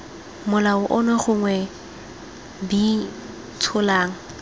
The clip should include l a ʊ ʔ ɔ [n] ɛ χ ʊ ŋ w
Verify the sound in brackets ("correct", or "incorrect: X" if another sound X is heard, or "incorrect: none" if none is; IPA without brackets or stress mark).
correct